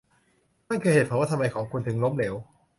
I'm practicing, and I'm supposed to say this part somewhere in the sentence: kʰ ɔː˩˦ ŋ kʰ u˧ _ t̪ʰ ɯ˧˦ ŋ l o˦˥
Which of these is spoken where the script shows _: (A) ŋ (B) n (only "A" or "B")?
B